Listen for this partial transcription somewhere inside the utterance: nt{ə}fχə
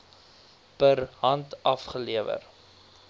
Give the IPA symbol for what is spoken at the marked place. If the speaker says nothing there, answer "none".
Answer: ɐ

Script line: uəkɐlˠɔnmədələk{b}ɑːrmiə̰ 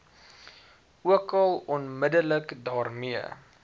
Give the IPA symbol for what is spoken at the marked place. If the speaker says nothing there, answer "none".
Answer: d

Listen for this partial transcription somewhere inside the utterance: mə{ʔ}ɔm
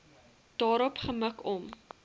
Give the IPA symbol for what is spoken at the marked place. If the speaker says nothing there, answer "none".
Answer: k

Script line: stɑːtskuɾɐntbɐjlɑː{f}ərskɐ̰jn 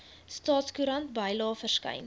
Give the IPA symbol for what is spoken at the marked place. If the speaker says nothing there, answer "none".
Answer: f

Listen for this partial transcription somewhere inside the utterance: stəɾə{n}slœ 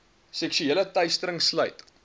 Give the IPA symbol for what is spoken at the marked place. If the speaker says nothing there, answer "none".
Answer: ŋ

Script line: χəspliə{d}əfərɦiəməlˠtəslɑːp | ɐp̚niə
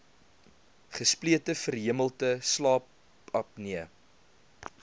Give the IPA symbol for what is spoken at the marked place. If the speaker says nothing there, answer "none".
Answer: t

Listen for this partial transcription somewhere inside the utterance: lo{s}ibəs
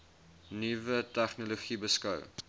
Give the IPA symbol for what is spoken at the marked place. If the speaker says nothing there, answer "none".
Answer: χ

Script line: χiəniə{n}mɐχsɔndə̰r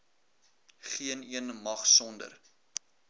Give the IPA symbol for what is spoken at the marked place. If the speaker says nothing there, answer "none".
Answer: n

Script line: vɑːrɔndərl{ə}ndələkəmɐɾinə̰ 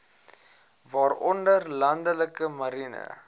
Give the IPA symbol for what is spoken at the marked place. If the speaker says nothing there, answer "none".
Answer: ɐ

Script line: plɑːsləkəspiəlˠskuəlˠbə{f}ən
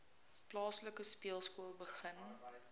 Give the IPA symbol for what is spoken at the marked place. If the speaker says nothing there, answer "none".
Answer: χ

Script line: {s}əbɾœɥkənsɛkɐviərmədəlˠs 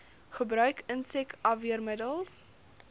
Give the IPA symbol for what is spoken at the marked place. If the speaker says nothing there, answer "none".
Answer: χ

